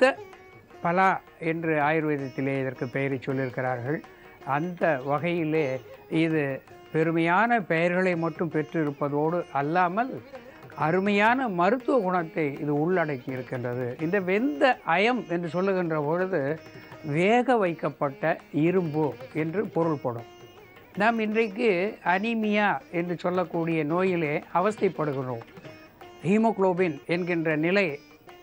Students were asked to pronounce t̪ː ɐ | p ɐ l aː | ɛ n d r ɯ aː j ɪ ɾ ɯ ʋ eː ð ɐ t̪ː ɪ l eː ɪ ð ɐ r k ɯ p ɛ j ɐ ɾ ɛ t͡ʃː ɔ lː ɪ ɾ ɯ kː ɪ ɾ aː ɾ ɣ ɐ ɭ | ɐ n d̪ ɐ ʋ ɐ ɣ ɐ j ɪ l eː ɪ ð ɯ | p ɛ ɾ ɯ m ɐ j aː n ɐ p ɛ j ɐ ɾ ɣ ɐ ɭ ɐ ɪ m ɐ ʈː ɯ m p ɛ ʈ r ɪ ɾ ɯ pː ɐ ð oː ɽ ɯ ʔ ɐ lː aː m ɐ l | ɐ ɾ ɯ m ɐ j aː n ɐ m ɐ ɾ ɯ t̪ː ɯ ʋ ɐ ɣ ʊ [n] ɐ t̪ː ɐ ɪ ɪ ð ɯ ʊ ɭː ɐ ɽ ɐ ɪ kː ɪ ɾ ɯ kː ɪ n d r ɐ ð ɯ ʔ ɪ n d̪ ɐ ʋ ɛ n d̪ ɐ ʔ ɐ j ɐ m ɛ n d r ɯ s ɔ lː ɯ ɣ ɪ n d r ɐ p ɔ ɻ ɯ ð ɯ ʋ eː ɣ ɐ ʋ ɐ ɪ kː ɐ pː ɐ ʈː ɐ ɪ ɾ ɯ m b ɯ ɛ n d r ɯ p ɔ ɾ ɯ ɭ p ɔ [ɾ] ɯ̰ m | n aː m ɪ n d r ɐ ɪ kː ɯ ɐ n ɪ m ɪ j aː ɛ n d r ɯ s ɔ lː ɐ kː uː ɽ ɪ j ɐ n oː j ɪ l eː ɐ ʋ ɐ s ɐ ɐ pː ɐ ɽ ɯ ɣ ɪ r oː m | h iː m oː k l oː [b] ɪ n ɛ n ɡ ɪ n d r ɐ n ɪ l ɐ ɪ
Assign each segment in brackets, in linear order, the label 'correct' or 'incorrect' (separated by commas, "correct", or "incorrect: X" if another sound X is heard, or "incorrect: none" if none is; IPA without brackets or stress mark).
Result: incorrect: ɳ, incorrect: ɽ, correct